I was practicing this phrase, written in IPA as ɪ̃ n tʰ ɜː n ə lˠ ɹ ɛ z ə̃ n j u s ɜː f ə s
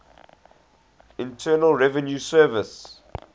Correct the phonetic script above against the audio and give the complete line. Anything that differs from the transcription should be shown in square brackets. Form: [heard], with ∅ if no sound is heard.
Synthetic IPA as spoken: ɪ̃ n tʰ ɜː n ə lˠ ɹ ɛ [v] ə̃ n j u s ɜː [v] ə s

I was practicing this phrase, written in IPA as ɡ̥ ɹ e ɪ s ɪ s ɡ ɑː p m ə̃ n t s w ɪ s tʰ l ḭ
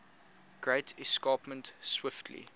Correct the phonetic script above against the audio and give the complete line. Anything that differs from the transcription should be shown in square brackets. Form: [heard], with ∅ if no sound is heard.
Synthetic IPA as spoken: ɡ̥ ɹ e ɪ [t] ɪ s [k] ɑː p m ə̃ n t s w ɪ [f] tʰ l ḭ

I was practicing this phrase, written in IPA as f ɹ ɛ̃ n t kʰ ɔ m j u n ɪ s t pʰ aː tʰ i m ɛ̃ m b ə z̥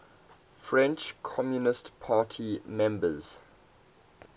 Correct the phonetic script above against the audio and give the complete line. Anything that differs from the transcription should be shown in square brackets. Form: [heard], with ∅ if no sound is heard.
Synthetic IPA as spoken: f ɹ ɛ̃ n [t͡ʃ] kʰ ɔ m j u n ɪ s t pʰ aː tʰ i m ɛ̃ m b ə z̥

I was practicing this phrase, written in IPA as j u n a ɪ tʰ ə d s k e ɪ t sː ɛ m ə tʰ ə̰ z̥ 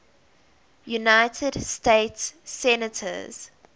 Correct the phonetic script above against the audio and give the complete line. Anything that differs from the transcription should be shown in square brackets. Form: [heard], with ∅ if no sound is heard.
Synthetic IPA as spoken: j u n a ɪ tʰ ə d s [t] e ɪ t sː ɛ [n] ə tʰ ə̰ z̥

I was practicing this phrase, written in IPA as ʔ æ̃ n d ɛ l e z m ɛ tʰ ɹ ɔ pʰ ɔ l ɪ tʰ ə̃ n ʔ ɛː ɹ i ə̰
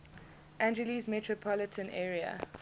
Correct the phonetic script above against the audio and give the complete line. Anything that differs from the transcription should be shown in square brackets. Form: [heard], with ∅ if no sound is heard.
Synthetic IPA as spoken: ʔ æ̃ n [d͡ʒ] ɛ l [i] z m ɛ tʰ ɹ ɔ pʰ ɔ l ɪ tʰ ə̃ n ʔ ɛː ɹ i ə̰

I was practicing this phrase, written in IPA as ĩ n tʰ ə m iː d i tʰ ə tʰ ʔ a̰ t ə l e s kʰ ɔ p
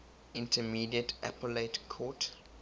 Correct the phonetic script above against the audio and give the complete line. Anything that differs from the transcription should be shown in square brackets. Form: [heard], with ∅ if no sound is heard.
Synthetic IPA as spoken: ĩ n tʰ ə m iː d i [∅] ə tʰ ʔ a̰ [p] ə l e [t] kʰ ɔ [t]

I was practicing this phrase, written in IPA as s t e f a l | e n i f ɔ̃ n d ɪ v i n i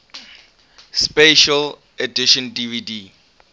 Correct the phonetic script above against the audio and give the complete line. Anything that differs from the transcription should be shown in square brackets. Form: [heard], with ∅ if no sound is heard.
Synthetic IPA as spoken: s [p] e [ʃ] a l | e [d] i [ʃ] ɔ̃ n d [i] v i [d] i

